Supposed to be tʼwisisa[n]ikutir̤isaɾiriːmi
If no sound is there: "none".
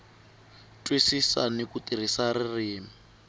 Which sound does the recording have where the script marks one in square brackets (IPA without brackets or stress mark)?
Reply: n